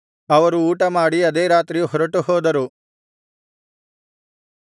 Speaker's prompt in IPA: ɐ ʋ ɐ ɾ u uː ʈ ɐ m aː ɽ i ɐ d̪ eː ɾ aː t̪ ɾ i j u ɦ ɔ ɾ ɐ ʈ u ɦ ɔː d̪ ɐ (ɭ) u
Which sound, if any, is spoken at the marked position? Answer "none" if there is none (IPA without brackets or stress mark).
ɾ